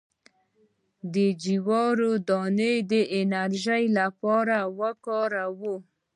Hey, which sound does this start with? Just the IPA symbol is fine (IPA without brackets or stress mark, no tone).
d̪